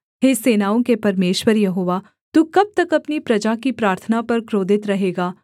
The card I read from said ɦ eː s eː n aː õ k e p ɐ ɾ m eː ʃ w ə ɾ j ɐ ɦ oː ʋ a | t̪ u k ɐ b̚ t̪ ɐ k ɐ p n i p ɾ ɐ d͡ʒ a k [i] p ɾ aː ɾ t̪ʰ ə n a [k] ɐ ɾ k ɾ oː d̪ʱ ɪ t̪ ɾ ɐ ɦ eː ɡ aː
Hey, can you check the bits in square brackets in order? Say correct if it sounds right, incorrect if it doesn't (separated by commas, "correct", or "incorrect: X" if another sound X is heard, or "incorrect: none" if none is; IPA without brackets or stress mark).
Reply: correct, incorrect: p